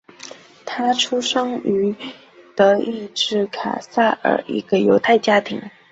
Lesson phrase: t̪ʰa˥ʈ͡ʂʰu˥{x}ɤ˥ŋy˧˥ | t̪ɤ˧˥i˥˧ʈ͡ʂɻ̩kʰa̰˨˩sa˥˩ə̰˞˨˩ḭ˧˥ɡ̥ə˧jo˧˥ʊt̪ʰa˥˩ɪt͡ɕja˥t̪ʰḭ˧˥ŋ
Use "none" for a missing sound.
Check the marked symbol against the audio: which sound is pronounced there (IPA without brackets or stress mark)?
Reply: ʂ